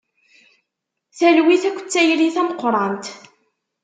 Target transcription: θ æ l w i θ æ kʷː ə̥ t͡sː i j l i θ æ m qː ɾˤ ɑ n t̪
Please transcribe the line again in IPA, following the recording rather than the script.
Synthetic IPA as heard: θ æ l w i θ æ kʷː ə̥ t͡sː æ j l i θ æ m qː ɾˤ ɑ n t̪